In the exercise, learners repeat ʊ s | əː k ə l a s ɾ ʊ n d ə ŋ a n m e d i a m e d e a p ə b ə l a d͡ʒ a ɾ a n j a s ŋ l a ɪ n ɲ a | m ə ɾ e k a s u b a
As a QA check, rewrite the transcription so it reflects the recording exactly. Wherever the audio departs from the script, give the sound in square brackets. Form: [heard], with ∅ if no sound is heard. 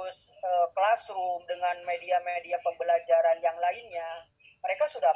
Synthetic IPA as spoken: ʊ s | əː k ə l a s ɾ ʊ [m] d ə ŋ a n m e d i a m e d [i] a p ə b ə l a d͡ʒ a ɾ a n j a [∅] ŋ l a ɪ n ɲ a | m ə ɾ e k a s u [d] a